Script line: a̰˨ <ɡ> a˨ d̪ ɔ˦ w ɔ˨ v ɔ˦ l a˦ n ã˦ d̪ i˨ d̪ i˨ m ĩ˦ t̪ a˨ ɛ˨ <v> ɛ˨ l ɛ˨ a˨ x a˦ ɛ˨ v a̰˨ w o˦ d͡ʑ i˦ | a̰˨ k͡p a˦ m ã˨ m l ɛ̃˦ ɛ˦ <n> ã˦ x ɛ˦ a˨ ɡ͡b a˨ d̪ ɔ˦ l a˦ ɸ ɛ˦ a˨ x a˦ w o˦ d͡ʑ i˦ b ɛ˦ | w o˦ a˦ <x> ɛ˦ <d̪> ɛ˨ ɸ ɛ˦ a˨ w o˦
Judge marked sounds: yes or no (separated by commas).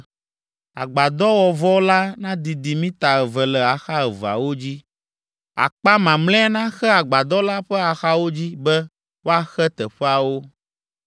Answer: no, yes, yes, yes, no